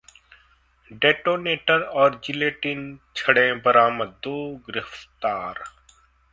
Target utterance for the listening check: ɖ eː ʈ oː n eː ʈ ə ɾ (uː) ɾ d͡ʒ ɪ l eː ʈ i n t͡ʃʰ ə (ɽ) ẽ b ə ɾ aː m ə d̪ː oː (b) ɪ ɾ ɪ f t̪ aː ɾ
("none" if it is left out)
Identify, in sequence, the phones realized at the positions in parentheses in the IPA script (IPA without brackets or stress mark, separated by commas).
ɔː, ɽ, ɡ